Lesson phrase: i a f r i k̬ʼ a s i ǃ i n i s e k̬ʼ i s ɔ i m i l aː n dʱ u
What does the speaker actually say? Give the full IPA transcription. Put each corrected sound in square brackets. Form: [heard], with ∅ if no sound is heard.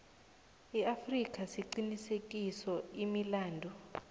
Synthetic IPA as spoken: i a f r i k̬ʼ a s i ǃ i n i s e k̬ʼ i s ɔ i m i l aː n dʱ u